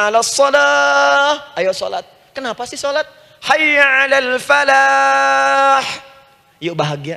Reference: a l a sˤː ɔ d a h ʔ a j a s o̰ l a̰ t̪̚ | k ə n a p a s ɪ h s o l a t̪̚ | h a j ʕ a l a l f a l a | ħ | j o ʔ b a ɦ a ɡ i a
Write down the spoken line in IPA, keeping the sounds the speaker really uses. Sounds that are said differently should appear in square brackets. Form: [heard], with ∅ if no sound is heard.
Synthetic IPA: a l a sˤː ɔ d a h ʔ a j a s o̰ l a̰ t̪̚ | k ə n a p a s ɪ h s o l a t̪̚ | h a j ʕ a l a l f a l a | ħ | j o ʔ b a ɦ a ɡ i a